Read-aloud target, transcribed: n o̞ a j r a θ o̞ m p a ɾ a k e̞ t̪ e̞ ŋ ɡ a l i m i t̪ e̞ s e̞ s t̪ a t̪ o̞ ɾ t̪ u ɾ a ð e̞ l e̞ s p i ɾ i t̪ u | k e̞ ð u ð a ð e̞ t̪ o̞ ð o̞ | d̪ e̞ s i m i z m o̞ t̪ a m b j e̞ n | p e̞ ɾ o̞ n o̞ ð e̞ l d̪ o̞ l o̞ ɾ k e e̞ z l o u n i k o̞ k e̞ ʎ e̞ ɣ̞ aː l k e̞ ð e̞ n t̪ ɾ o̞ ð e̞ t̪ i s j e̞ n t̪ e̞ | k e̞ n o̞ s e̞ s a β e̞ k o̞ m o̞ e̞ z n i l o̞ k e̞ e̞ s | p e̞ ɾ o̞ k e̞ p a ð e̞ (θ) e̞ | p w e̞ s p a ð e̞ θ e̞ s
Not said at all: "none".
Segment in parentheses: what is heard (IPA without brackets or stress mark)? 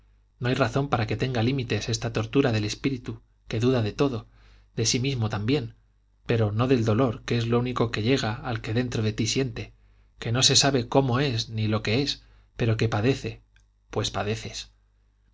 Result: θ